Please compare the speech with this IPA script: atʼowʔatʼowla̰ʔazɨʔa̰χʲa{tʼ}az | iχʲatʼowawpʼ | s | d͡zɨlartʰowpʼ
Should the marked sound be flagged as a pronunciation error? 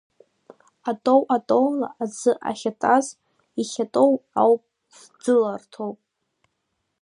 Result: no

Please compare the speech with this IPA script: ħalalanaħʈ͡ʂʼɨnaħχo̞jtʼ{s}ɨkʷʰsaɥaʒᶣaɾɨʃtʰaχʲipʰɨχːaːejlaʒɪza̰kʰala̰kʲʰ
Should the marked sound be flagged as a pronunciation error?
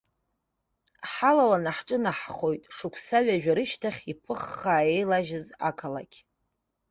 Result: yes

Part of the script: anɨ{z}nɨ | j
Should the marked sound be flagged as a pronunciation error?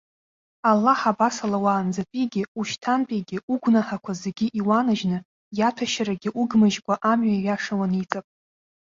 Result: yes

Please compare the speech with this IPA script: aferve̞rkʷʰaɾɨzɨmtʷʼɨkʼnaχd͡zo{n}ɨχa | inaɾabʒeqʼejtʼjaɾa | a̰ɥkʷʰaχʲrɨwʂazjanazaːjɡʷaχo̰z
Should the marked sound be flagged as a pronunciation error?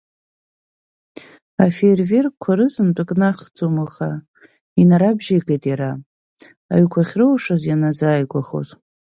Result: yes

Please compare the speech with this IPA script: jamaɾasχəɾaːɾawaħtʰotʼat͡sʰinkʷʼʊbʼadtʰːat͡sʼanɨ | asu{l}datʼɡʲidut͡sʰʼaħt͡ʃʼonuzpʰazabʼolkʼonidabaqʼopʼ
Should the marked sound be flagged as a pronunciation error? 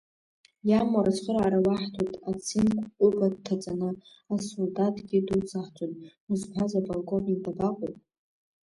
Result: no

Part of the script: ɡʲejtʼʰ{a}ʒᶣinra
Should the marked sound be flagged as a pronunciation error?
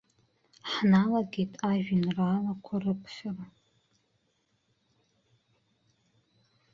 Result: no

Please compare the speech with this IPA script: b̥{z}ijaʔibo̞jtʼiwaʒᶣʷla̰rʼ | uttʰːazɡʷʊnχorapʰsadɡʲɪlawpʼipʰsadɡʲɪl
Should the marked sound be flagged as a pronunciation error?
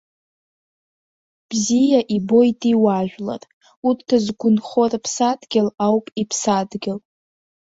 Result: no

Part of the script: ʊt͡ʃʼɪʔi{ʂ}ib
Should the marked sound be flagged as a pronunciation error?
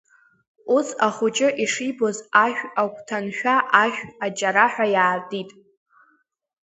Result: no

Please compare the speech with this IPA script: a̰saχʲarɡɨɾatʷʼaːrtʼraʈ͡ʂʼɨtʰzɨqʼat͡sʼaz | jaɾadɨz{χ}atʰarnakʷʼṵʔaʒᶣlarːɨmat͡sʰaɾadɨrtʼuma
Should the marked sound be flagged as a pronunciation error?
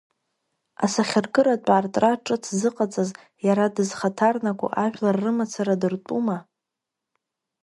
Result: no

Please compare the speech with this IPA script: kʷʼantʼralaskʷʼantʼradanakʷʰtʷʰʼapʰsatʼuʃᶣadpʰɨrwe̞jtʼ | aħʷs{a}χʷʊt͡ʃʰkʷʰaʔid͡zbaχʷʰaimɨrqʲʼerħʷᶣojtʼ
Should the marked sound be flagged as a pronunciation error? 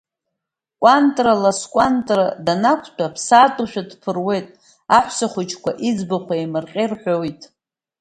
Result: no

